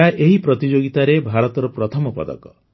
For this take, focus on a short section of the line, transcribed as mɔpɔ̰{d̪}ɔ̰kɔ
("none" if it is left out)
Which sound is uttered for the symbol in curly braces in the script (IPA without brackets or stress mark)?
d̪